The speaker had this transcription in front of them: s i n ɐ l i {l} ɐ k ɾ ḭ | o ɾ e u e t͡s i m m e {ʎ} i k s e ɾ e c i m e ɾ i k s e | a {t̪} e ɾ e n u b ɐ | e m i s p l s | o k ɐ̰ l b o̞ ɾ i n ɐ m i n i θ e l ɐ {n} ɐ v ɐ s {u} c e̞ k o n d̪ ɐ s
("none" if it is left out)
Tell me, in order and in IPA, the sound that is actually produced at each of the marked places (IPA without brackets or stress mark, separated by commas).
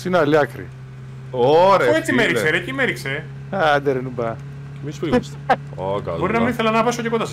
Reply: none, ɾ, d̪, n, o